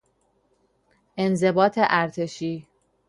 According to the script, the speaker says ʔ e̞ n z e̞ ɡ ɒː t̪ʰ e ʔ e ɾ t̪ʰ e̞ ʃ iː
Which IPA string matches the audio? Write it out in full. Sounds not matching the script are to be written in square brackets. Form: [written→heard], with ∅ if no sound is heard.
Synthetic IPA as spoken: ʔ e̞ n z e̞ [ɡ→b] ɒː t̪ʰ e ʔ [e→æ] ɾ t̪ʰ e̞ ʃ iː